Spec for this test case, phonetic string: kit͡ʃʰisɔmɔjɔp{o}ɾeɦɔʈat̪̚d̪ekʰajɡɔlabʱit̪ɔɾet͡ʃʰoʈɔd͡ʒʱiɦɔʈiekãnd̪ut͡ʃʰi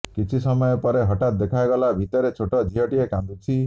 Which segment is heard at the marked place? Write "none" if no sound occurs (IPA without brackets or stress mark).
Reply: ɔ